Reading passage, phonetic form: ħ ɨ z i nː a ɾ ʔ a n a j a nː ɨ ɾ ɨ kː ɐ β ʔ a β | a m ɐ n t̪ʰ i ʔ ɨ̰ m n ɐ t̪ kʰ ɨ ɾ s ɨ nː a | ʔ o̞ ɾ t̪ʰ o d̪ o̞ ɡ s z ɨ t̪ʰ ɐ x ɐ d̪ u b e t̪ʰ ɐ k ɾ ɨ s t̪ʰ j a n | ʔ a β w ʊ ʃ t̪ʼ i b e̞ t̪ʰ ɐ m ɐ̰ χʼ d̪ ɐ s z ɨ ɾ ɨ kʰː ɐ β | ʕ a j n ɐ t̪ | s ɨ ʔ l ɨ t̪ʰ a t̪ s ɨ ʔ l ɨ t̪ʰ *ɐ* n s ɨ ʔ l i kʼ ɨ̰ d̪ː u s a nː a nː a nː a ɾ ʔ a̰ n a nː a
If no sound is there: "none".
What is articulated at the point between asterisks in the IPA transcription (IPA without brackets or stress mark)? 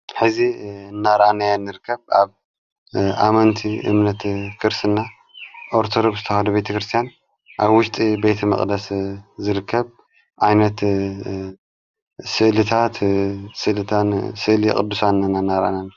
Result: a